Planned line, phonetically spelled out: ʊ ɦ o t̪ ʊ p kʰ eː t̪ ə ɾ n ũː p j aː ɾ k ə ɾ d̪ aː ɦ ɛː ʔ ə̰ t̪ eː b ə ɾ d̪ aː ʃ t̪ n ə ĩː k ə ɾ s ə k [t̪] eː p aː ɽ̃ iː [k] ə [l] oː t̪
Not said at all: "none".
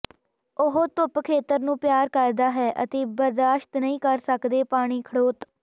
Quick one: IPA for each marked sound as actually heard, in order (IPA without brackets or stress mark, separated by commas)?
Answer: d̪, kʰ, ɽ